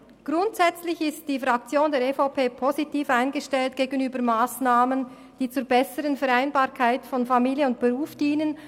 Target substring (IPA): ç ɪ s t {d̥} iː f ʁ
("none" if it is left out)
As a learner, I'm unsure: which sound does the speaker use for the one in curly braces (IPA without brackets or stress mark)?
d̥